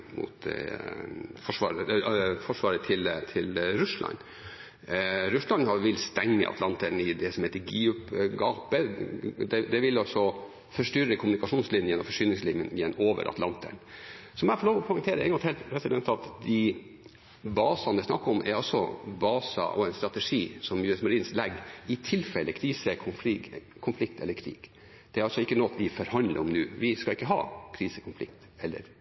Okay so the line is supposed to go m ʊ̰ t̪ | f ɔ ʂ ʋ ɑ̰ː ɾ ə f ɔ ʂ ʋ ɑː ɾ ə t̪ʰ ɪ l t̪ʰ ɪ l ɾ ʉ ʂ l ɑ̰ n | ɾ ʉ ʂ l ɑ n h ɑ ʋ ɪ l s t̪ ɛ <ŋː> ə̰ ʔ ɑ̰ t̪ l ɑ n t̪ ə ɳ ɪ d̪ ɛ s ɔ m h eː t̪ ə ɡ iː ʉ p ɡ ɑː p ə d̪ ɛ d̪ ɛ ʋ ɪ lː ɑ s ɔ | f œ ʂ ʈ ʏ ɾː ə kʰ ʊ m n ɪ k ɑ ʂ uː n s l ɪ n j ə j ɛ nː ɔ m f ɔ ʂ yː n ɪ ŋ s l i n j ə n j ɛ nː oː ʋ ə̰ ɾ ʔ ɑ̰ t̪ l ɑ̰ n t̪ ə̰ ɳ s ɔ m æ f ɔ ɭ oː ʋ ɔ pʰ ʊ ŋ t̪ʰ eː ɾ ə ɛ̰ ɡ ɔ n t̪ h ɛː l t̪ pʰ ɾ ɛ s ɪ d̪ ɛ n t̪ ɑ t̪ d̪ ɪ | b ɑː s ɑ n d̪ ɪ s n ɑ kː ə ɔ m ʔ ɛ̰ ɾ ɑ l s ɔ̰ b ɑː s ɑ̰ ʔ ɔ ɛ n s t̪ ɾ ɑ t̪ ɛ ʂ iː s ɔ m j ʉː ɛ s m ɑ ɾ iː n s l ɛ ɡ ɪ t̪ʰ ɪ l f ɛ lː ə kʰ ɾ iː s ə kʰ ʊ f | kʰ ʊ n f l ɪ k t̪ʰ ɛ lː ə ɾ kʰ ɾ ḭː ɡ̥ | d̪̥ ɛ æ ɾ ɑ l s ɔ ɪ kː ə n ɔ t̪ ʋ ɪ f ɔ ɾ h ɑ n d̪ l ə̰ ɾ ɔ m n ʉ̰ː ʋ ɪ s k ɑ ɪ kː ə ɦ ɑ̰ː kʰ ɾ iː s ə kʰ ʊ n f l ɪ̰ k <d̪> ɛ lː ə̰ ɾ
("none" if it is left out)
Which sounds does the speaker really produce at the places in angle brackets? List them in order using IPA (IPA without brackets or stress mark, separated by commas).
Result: ŋː, t̪